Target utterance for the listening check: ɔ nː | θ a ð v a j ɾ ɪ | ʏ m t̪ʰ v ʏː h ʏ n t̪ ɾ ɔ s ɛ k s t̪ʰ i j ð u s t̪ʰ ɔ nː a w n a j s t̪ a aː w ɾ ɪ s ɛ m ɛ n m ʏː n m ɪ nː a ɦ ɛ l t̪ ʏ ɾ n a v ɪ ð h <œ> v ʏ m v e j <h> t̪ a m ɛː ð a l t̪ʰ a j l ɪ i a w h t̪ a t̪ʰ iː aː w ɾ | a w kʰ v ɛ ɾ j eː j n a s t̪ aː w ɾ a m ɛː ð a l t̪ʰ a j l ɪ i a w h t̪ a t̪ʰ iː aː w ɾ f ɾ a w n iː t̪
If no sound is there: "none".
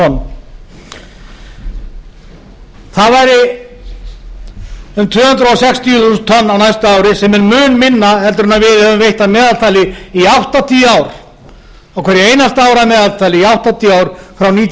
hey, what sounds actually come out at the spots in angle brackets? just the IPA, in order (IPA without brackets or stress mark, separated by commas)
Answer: ɛ, h